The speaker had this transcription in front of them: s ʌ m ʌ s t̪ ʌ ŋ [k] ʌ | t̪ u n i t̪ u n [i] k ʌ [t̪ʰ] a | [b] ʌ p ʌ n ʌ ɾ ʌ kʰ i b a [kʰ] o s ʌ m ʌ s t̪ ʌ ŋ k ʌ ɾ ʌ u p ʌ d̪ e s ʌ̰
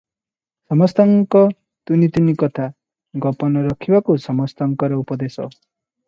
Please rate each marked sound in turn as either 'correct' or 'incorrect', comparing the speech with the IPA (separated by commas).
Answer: correct, correct, correct, incorrect, incorrect